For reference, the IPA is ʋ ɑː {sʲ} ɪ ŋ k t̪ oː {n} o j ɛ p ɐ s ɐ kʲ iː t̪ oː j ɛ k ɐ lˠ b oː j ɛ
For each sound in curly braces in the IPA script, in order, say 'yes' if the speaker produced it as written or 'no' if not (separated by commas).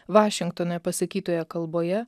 no, yes